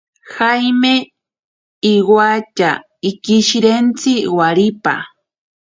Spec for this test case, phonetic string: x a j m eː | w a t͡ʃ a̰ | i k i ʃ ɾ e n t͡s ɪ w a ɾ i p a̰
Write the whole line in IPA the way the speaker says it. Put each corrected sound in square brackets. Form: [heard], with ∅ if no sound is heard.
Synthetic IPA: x a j m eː | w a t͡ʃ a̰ | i k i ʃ ɾ e n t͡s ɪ w a ɾ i p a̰